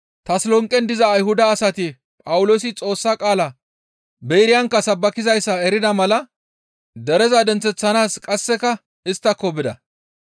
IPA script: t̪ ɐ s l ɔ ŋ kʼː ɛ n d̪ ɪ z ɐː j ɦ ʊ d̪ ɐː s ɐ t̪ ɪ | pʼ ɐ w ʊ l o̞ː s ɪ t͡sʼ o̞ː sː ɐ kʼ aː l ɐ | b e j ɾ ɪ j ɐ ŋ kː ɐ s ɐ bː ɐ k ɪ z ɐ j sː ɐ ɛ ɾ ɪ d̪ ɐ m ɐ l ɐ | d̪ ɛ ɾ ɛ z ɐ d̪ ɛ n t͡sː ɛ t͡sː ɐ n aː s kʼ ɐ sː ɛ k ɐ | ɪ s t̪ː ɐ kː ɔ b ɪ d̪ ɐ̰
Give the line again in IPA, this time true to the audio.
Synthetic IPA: t̪ ɐ s l ɔ ŋ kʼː ɛ n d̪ ɪ z ɐː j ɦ ʊ d̪ ɐː s ɐ t̪ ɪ | pʼ ɐ w ʊ l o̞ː s ɪ t͡sʼ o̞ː sː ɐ kʼ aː l ɐ | b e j ɾ ɪ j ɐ ŋ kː ɐ s ɐ bː ɐ k ɪ z ɐ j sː ɐ ɛ ɾ ɪ d̪ ɐ m ɐ l ɐ | d̪ ɛ ɾ ɛ z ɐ d̪ ɛ n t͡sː ɛ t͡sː ɐ n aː s kʼ ɐ sː ɛ k ɐ | ɪ s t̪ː ɐ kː ɔ b ɪ d̪ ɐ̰

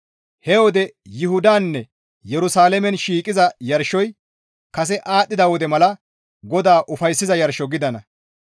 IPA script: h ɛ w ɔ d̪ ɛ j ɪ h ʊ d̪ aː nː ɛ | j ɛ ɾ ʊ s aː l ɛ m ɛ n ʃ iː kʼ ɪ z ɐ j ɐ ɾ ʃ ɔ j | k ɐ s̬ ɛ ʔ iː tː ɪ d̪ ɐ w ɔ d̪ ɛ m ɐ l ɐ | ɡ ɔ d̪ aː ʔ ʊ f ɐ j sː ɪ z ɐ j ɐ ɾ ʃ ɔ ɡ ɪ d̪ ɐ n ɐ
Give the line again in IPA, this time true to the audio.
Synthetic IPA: h ɛ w ɔ d̪ ɛ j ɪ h ʊ d̪ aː nː ɛ | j ɛ ɾ ʊ s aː l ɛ m ɛ n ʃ iː kʼ ɪ z ɐ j ɐ ɾ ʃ ɔ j | k ɐ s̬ ɛ ʔ aː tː ɪ d̪ ɐ w ɔ d̪ ɛ m ɐ l ɐ | ɡ ɔ d̪ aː ʔ ʊ f ɐ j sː ɪ z ɐ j ɐ ɾ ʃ ɔ ɡ ɪ d̪ ɐ n ɐ

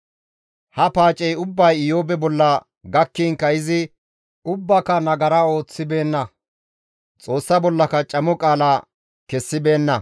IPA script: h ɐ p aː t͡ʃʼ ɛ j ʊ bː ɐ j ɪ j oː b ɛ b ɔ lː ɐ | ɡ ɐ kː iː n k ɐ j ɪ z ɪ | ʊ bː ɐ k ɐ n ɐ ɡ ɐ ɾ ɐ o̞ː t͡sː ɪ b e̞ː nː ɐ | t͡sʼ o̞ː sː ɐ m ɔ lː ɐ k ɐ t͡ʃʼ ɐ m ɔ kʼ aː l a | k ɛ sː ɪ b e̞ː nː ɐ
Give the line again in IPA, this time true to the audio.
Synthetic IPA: h ɐ p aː t͡ʃʼ ɛ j ʊ bː ɐ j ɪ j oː b ɛ b ɔ lː ɐ | ɡ ɐ kː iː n k ɐ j ɪ z ɪ | ʊ bː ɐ k ɐ n ɐ ɡ ɐ ɾ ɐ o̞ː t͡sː ɪ b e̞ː nː ɐ | t͡sʼ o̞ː sː ɐ b ɔ lː ɐ k ɐ t͡ʃʼ ɐ m ɔ kʼ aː l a | k ɛ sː ɪ b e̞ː nː ɐ

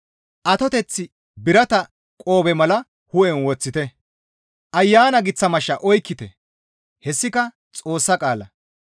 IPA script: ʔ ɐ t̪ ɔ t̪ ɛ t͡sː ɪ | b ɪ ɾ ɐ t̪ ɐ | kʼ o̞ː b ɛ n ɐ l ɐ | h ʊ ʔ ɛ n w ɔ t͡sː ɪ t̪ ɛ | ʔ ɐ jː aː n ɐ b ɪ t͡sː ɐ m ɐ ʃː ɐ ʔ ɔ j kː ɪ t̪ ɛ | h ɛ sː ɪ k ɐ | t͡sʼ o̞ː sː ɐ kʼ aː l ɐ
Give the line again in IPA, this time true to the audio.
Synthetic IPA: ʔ ɐ t̪ ɔ t̪ ɛ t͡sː ɪ | b ɪ ɾ ɐ t̪ ɐ | kʼ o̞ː b ɛ m ɐ l ɐ | h ʊ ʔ ɛ n w ɔ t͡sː ɪ t̪ ɛ | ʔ ɐ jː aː n ɐ ɡ ɪ t͡sː ɐ m ɐ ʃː ɐ ʔ ɔ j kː ɪ t̪ ɛ | h ɛ sː ɪ k ɐ | t͡sʼ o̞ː sː ɐ kʼ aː l ɐ

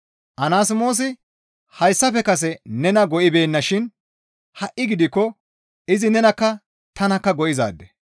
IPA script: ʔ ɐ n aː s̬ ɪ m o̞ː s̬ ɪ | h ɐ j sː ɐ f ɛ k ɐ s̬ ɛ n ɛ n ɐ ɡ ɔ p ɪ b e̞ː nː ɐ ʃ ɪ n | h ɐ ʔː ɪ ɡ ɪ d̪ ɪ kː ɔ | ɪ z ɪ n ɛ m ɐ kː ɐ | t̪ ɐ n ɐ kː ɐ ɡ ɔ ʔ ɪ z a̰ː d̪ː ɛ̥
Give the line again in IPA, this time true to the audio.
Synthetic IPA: ʔ ɐ n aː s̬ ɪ m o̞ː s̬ ɪ | h ɐ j sː ɐ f ɛ k ɐ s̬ ɛ n ɛ n ɐ ɡ ɔ ʔ ɪ b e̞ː nː ɐ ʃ ɪ n | h ɐ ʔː ɪ ɡ ɪ d̪ ɪ kː ɔ | ɪ z ɪ n ɛ n ɐ kː ɐ | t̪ ɐ n ɐ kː ɐ ɡ ɔ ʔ ɪ z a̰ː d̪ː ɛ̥

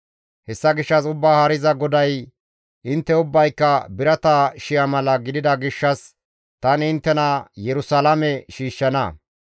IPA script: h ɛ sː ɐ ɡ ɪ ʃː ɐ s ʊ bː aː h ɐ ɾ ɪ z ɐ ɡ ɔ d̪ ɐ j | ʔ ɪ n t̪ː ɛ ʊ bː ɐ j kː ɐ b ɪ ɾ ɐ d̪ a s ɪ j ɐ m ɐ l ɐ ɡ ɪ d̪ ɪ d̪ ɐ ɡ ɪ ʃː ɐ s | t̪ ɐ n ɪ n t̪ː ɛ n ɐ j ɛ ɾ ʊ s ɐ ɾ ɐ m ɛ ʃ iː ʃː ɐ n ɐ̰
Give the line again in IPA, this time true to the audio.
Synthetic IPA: h ɛ sː ɐ ɡ ɪ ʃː ɐ s ʊ bː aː h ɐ ɾ ɪ z ɐ ɡ ɔ d̪ ɐ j | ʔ ɪ n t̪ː ɛ ʊ bː ɐ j kː ɐ b ɪ ɾ ɐ t̪ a ʃ ɪ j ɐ m ɐ l ɐ ɡ ɪ d̪ ɪ d̪ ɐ ɡ ɪ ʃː ɐ s | t̪ ɐ n ɪ n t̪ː ɛ n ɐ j ɛ ɾ ʊ s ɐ l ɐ m ɛ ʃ iː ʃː ɐ n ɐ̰

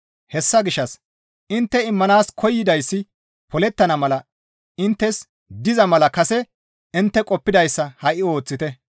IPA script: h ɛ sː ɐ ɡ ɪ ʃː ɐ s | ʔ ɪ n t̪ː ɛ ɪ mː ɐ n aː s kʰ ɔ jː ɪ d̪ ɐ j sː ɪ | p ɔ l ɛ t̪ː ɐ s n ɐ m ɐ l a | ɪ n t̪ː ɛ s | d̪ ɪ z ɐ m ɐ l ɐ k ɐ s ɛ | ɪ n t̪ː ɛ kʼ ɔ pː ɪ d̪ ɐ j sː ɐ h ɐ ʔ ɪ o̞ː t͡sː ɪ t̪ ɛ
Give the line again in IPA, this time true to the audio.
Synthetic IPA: h ɛ sː ɐ ɡ ɪ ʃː ɐ s | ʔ ɪ n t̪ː ɛ ɪ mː ɐ n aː s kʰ ɔ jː ɪ d̪ ɐ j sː ɪ | p ɔ l ɛ t̪ː ɐ n ɐ m ɐ l ɐ | ɪ n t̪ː ɛ s | d̪ ɪ z ɐ m ɐ l ɐ k ɐ s ɛ | ɪ n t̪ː ɛ kʼ ɔ pː ɪ d̪ ɐ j sː ɐ h ɐ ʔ ɪ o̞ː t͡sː ɪ t̪ ɛ

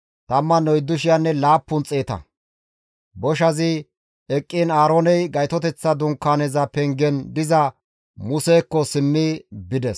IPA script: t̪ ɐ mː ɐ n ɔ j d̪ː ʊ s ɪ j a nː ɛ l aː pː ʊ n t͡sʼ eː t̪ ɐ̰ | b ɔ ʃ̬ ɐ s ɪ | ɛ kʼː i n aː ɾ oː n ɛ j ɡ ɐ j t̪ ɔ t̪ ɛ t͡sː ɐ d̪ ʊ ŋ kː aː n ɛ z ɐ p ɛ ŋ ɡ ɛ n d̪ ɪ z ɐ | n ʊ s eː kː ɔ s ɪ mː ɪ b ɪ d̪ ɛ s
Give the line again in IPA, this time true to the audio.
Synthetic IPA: t̪ ɐ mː ɐ n ɔ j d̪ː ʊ ʃ ɪ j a nː ɛ l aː pː ʊ n t͡sʼ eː t̪ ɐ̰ | b ɔ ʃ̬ ɐ z ɪ | ɛ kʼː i n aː ɾ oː n ɛ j ɡ ɐ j t̪ ɔ t̪ ɛ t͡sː ɐ d̪ ʊ ŋ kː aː n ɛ z ɐ p ɛ ŋ ɡ ɛ n d̪ ɪ z ɐ | m ʊ s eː kː ɔ s ɪ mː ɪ b ɪ d̪ ɛ s

